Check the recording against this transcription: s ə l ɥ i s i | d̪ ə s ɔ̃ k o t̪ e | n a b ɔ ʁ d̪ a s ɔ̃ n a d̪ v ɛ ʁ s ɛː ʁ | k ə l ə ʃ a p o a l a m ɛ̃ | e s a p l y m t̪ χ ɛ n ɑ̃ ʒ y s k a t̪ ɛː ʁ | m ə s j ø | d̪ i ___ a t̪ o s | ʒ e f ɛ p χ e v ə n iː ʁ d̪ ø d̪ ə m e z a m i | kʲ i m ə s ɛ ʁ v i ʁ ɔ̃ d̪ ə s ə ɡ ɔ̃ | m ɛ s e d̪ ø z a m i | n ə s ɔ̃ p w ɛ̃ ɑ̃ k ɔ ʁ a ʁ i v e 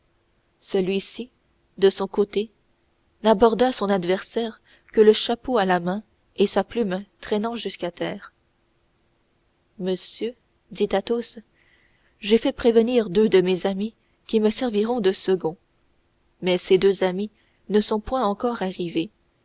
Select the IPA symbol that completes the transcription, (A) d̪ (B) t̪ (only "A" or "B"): B